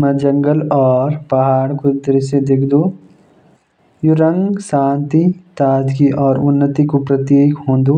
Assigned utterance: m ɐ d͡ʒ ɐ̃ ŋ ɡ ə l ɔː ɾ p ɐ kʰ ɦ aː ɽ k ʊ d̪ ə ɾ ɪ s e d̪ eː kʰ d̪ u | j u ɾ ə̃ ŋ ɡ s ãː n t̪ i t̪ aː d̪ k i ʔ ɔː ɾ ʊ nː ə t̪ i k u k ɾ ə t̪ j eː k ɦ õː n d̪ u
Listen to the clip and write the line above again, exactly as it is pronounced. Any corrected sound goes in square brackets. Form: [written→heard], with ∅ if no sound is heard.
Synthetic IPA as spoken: m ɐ d͡ʒ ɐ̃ ŋ ɡ ə l ɔː ɾ p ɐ [kʰ→∅] ɦ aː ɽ k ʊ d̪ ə ɾ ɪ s e d̪ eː kʰ d̪ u | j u ɾ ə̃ ŋ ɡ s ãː n t̪ i t̪ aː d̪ k i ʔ ɔː ɾ ʊ nː ə t̪ i k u [k→p] ɾ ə t̪ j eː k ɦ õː n d̪ u

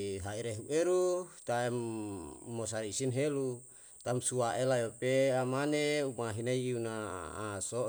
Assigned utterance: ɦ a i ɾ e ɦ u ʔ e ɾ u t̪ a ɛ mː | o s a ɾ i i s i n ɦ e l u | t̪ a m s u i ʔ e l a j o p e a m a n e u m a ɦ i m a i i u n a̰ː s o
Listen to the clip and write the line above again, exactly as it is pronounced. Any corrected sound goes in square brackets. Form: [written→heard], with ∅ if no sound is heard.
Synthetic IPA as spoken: ɦ a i ɾ e ɦ u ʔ e ɾ u t̪ a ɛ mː | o s a ɾ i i s i n ɦ e l u | t̪ a m s u [i→a] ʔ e l a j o p e a m a n e u m a ɦ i [m→n] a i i u n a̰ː s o

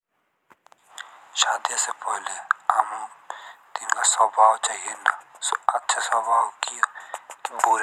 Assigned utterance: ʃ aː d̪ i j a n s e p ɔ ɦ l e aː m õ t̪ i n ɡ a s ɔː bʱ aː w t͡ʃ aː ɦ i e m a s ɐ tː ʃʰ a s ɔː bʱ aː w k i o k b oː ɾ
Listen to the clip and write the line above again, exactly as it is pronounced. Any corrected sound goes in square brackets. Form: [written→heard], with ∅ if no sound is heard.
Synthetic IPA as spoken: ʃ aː d̪ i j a [n→∅] s e p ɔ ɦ l e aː m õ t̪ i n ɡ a s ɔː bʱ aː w t͡ʃ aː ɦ i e [m→n] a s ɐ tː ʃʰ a s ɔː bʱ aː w k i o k b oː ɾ

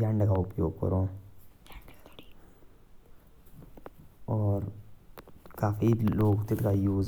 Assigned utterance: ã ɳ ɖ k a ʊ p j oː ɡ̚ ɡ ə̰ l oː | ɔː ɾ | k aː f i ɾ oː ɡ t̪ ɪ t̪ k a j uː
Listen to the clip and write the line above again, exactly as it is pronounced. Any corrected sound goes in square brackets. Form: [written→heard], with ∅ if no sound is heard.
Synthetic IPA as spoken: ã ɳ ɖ k a ʊ p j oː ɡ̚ [ɡ→k] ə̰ [l→ɾ] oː | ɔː ɾ | k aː f i [ɾ→l] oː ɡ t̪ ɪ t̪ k a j uː

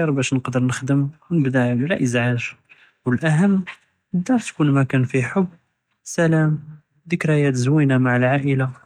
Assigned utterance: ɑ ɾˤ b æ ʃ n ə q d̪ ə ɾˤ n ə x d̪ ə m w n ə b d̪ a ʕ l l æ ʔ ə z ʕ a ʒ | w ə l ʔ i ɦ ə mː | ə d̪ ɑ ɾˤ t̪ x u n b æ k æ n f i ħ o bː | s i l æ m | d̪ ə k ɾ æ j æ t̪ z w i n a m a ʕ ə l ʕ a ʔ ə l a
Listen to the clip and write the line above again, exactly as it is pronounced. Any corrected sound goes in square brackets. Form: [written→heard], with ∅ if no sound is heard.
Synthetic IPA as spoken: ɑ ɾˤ b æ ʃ n ə q d̪ ə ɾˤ n ə x d̪ ə m w n ə b d̪ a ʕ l l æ ʔ ə z ʕ a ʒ | w ə l ʔ [i→æ] ɦ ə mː | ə d̪ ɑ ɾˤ t̪ [x→k] u n [b→m] æ k æ n f i ħ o bː | s [i→æ] l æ m | d̪ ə k ɾ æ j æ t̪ z w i n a m a ʕ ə l ʕ a ʔ ə l a

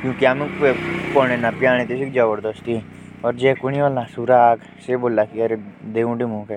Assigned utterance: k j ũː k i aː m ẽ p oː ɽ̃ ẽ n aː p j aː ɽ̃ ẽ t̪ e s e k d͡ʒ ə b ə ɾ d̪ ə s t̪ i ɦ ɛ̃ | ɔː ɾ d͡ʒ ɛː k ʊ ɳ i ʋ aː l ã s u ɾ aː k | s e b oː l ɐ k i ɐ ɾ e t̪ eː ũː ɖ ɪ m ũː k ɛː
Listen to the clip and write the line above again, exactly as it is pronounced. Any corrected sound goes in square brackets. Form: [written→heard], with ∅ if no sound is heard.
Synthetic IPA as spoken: k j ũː k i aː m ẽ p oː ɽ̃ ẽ n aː p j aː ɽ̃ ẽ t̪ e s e k d͡ʒ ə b ə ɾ d̪ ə s t̪ i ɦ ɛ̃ | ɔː ɾ d͡ʒ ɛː k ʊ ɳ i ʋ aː l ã s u ɾ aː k | s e b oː l [ɐ→a] k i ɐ ɾ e [t̪→d̪] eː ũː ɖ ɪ m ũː k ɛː

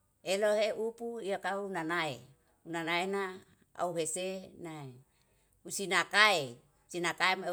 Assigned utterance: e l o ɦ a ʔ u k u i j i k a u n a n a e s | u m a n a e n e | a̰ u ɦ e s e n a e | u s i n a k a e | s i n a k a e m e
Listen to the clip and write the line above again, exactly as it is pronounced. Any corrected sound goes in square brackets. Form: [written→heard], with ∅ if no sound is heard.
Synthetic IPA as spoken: e l o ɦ [a→e] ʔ u [k→p] u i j [i→a] k a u n a n a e [s→∅] | u [m→n] a n a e n [e→a] | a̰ u ɦ e s e n a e | u s i n a k a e | s i n a k a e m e

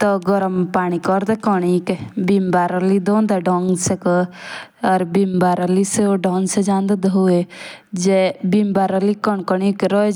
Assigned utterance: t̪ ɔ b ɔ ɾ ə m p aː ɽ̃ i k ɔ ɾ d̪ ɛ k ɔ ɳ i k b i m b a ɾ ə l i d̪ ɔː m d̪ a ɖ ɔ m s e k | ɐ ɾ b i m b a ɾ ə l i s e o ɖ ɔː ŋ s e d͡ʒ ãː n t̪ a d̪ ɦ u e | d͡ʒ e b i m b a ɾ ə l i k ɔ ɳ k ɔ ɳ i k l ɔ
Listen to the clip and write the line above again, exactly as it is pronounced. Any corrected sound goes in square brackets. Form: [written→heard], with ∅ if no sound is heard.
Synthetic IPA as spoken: t̪ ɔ [b→ɡ] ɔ ɾ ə m p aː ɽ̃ i k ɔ ɾ d̪ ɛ k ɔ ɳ i k b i m b a ɾ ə l i d̪ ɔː [m→n] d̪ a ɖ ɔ [m→ŋ] s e k | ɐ ɾ b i m b a ɾ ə l i s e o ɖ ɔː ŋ s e d͡ʒ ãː n [t̪→d̪] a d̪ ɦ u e | d͡ʒ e b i m b a ɾ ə l i k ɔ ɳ k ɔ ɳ i k [l→ɾ] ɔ

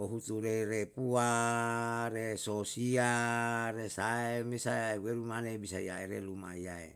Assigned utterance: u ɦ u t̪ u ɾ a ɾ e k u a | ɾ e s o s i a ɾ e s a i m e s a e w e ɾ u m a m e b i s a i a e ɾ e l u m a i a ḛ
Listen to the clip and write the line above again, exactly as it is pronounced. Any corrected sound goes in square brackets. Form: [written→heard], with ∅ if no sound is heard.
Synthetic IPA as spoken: [u→o] ɦ u t̪ u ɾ [a→e] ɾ e [k→p] u a | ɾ e s o s i a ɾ e s a [i→e] m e s a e w e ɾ u m a [m→n] e b i s a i a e ɾ e l u m a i a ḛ

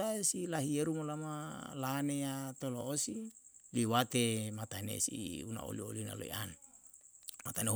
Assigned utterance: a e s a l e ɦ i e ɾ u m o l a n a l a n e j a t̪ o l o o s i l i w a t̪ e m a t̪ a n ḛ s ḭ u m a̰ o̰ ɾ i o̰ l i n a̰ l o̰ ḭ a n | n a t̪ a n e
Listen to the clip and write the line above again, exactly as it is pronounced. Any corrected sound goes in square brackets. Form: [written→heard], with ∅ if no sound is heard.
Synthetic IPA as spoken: a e s [a→i] l [e→a] ɦ i e ɾ u m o l a [n→m] a l a n e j a t̪ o l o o s i l i w a t̪ e m a t̪ a n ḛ s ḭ u [m→n] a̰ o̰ [ɾ→l] i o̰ l i n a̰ l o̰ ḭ a n | [n→m] a t̪ a n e

